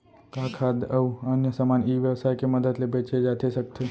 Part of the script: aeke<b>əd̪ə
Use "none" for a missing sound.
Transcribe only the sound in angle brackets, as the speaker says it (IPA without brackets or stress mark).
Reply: m